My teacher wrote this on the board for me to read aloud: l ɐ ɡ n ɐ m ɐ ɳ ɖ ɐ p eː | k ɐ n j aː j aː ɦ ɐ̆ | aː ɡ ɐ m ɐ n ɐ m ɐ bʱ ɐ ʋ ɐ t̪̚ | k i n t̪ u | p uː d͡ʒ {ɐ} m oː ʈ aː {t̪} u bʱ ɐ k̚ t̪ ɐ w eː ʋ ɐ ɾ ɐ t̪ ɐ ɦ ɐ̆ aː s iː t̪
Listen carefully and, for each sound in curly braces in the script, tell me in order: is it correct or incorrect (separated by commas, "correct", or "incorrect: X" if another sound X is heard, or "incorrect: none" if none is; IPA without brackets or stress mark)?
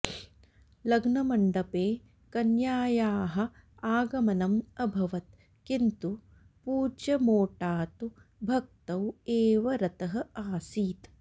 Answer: correct, correct